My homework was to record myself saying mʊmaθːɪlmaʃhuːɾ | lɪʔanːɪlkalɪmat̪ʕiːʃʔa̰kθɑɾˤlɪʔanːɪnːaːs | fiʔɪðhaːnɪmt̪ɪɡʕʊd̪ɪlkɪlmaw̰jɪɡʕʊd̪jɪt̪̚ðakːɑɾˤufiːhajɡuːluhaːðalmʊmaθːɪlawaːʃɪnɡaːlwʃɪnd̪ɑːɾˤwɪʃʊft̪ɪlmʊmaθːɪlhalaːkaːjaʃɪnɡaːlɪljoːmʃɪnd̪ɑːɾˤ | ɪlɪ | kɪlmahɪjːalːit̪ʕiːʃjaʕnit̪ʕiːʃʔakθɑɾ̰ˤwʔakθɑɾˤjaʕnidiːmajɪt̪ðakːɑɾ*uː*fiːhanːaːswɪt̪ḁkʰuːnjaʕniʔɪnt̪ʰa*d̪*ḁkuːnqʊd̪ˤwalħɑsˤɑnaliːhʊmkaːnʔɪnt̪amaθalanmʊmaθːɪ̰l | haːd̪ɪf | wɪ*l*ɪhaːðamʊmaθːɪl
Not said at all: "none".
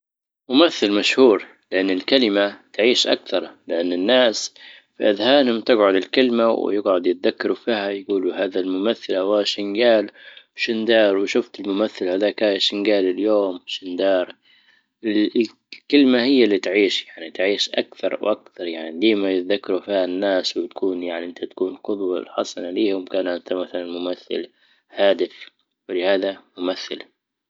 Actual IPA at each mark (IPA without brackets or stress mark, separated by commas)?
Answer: u, t̪, l